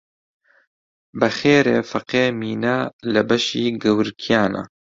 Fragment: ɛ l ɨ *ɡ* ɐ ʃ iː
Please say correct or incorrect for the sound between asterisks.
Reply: incorrect: b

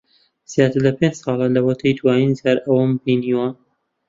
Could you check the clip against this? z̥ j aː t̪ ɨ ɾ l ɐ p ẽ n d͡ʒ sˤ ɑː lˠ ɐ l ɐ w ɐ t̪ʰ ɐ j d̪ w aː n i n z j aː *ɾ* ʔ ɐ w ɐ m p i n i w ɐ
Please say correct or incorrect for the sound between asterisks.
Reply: correct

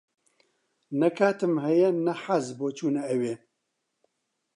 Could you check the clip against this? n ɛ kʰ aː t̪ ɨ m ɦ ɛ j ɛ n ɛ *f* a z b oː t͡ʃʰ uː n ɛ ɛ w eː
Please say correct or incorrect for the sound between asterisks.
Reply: incorrect: ħ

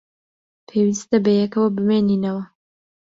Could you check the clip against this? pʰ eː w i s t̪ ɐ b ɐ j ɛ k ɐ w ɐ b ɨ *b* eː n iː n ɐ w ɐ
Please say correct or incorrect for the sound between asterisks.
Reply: incorrect: m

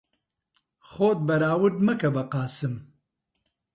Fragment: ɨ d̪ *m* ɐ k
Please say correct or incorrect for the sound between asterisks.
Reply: correct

